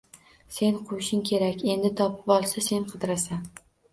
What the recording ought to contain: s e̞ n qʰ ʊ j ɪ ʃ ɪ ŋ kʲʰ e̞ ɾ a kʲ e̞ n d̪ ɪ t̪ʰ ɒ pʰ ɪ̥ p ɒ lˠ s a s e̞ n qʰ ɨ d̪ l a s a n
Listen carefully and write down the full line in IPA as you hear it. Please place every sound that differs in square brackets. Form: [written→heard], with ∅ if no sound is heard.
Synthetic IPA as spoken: s e̞ n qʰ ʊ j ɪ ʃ ɪ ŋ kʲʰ e̞ ɾ a kʲ e̞ n d̪ ɪ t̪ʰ ɒ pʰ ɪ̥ p ɒ lˠ s a s e̞ n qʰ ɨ d̪ [l→ɾ] a s a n